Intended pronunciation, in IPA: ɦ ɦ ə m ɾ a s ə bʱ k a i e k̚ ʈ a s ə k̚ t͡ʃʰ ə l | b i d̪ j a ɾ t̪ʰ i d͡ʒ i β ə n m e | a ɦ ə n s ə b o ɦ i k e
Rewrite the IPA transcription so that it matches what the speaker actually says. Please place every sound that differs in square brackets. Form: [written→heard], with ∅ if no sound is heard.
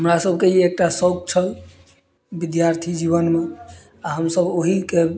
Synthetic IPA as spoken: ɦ ɦ ə m ɾ a s ə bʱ k [a→e] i e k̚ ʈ a s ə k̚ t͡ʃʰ ə l | b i d̪ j a ɾ t̪ʰ i d͡ʒ i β ə n m e | a ɦ ə [n→m] s ə b o ɦ i k e

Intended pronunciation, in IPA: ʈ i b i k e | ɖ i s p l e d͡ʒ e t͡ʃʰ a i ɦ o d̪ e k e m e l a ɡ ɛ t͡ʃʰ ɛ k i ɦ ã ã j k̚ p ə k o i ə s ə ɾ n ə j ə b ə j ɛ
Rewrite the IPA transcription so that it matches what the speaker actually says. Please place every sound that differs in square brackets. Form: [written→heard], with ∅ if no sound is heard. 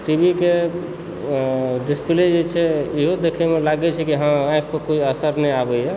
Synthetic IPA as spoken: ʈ i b i k e | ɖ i s p l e d͡ʒ e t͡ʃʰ [a→ɛ] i ɦ o d̪ e [k→kʰ] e m e l a ɡ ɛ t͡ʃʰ ɛ k i ɦ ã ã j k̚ p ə k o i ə s ə ɾ n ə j [ə→a] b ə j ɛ

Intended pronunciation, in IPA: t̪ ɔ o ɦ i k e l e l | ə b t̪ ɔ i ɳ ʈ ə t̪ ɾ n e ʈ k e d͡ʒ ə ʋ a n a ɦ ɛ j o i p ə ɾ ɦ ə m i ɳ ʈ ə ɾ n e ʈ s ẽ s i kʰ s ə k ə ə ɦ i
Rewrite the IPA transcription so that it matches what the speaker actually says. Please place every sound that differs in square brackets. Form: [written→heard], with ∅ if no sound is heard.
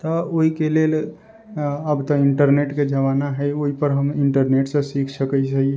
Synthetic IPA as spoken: t̪ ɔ o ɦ i k e l e l | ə b t̪ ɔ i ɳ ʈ ə [t̪→∅] ɾ n e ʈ k e d͡ʒ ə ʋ a n a ɦ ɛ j o i p ə ɾ ɦ ə m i ɳ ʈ ə ɾ n e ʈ s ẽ s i kʰ s ə k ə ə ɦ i

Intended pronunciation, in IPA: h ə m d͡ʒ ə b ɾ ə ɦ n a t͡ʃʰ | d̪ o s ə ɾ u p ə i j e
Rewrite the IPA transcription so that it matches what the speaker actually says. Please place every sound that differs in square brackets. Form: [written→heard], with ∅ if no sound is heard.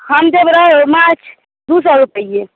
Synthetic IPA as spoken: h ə m d͡ʒ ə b ɾ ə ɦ [n→m] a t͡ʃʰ | d̪ [o→u] s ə ɾ u p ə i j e

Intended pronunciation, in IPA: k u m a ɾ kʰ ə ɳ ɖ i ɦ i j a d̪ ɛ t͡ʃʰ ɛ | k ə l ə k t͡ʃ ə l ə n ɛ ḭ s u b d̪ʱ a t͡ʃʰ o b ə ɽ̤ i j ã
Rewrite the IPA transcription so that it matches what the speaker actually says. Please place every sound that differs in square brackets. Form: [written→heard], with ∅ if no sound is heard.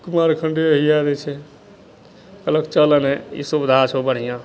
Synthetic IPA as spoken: k u m a ɾ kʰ ə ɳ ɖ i ɦ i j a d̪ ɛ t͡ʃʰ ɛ | k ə l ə k t͡ʃ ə l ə n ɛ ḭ s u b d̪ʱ a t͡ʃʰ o b ə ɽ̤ i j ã

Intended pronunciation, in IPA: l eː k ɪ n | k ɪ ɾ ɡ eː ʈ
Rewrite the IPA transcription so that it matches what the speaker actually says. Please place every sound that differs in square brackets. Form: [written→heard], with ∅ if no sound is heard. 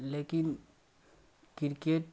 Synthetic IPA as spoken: l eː k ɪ n | k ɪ ɾ [ɡ→k] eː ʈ

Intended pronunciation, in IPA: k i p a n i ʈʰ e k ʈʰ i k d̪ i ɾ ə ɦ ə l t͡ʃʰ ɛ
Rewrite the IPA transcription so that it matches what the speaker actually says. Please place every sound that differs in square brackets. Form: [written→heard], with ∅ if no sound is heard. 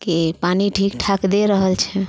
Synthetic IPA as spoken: k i p a n i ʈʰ [e→i] k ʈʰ [i→a] k d̪ [i→e] ɾ ə ɦ ə l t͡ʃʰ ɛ

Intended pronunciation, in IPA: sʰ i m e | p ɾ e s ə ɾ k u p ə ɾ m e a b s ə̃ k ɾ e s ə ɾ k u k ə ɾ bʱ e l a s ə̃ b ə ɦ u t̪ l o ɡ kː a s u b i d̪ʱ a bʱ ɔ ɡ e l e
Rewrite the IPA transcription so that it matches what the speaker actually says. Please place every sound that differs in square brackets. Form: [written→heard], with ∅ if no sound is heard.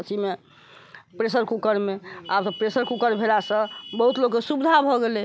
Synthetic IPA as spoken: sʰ i m e | p ɾ e s ə ɾ k u [p→k] ə ɾ m e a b s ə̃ [k→p] ɾ e s ə ɾ k u k ə ɾ bʱ e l a s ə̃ b ə ɦ u t̪ l o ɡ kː [a→e] s u b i d̪ʱ a bʱ ɔ ɡ e l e

